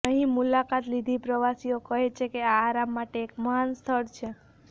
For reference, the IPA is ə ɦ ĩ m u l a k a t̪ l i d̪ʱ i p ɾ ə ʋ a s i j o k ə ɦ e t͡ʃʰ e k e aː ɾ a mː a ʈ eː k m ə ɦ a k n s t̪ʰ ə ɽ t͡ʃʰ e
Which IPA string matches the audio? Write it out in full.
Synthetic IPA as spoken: ə ɦ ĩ m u l a k a t̪ l i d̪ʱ i p ɾ ə ʋ a s i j o k ə ɦ e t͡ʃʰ e k e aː ɾ a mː a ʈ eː k m ə ɦ a n s t̪ʰ ə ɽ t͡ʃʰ e